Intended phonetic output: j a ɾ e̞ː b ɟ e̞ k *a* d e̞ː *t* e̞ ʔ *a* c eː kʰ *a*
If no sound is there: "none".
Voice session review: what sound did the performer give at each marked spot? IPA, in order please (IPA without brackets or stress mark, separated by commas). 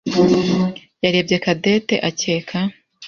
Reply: a, t, a, a